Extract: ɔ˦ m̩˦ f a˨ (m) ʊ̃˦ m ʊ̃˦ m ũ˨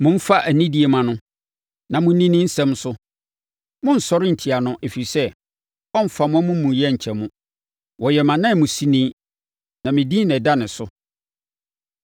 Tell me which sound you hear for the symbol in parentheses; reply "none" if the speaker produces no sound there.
m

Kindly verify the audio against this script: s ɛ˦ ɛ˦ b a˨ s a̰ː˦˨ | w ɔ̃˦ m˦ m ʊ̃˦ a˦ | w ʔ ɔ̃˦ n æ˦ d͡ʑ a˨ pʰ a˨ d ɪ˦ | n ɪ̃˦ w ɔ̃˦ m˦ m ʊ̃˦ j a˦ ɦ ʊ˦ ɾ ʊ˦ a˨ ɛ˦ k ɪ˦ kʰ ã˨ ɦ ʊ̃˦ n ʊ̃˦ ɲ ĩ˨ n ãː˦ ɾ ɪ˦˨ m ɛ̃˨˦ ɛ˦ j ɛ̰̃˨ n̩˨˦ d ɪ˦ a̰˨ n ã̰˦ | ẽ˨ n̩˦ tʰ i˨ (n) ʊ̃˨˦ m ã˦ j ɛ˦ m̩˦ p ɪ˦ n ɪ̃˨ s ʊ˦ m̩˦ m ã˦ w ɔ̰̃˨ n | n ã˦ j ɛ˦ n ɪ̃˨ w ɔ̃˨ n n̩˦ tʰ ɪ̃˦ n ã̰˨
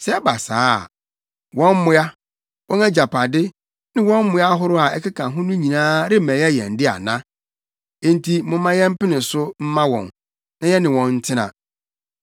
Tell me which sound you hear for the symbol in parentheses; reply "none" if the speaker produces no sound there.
m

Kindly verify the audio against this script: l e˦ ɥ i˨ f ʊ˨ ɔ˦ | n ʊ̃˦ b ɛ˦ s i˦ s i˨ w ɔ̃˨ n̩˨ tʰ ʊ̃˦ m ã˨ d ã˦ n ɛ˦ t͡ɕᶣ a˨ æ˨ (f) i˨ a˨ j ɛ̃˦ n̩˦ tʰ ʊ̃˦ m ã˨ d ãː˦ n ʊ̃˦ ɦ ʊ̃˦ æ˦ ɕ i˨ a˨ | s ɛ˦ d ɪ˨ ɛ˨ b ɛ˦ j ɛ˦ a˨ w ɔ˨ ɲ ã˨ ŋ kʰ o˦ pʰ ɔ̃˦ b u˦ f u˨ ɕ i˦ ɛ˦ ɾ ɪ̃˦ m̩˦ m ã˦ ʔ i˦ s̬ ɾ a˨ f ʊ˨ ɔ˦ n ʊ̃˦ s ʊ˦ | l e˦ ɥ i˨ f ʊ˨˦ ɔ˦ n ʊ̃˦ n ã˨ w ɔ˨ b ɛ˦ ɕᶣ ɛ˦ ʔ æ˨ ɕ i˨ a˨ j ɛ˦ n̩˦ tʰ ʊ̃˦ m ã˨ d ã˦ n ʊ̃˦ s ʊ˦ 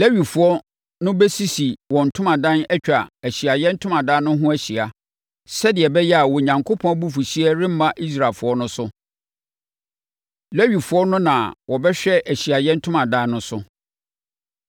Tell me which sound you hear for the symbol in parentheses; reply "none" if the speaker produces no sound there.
ɕ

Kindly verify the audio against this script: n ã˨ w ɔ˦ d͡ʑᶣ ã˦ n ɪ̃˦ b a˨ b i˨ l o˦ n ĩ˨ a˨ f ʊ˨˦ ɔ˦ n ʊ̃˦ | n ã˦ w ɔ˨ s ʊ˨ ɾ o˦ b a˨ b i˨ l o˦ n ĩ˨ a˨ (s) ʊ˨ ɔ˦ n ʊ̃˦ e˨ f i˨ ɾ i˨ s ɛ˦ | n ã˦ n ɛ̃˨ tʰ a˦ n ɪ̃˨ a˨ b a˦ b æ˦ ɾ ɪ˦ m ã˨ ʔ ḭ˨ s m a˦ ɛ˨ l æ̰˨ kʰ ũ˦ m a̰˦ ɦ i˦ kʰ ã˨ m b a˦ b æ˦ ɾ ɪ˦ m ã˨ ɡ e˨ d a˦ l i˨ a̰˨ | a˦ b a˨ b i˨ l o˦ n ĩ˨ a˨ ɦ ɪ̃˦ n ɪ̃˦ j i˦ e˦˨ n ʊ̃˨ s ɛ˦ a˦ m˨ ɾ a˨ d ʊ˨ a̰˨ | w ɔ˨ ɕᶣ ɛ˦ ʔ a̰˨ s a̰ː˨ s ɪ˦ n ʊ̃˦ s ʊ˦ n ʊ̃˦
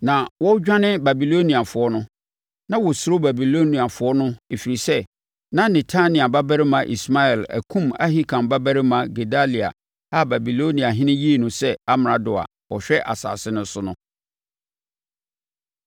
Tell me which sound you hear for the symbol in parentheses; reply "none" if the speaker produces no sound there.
f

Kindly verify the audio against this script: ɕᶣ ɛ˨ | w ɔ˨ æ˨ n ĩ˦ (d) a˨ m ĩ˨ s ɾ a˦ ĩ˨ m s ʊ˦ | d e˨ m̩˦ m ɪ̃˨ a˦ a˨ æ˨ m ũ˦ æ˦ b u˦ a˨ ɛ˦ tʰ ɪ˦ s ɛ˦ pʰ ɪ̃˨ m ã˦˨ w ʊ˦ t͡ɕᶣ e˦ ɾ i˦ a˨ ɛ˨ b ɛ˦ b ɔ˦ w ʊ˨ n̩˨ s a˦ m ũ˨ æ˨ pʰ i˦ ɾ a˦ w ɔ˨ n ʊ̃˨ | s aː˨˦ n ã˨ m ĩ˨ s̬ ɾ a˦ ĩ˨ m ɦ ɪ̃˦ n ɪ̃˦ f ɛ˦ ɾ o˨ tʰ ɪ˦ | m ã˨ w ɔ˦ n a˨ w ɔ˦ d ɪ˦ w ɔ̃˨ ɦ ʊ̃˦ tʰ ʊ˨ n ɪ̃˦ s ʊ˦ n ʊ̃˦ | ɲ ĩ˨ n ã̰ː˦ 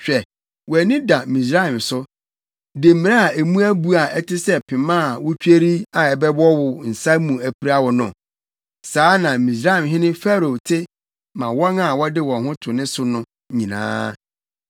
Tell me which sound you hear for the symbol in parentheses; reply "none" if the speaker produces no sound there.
d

